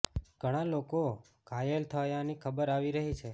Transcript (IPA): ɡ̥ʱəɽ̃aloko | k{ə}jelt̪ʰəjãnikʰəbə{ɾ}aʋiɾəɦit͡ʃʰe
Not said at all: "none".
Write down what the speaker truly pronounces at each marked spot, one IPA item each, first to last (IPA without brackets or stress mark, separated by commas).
a, ɾ